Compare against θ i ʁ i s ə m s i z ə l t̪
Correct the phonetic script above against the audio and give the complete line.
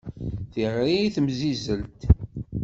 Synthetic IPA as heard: θ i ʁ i θ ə m z i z ə l t̪

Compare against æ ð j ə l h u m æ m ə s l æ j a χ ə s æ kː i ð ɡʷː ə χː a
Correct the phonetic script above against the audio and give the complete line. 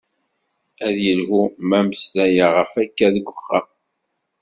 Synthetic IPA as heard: æ ð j ə l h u m æ m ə s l æ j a ʁ ə f æ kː æ ð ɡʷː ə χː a

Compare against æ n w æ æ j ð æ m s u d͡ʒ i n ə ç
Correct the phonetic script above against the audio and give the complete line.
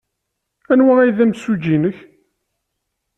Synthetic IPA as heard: æ n w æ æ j ð æ m s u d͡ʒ i n ə ç

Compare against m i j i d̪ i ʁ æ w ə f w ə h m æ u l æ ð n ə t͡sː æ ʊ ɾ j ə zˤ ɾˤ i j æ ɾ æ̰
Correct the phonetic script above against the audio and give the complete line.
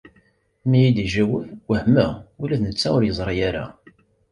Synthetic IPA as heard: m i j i d̪ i ʒ æ w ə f w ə h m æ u l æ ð n ə t͡sː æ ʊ ɾ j ə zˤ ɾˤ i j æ ɾ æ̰

